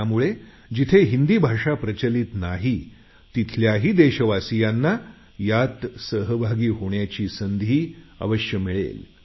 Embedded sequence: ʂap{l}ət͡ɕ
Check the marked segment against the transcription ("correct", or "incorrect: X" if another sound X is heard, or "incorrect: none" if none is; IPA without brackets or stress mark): incorrect: ɾ